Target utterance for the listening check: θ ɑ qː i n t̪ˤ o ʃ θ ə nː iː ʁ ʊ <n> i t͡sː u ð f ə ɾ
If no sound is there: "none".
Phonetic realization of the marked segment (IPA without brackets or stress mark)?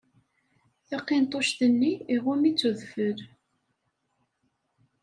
m